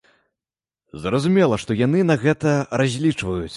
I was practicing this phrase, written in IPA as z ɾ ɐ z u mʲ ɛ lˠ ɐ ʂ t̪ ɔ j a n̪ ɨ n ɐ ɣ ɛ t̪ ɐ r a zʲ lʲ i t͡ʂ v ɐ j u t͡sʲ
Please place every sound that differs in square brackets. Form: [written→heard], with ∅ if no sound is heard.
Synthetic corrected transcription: z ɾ ɐ z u mʲ ɛ lˠ ɐ ʂ t̪ ɔ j a n̪ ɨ n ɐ ɣ ɛ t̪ ɐ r a zʲ lʲ i t͡ʂ v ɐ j u t͡sʲ